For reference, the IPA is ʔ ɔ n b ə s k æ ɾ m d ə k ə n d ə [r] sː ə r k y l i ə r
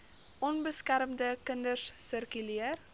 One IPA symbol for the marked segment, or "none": r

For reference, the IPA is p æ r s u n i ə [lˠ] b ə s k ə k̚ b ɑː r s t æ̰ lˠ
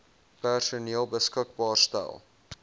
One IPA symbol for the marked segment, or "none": lˠ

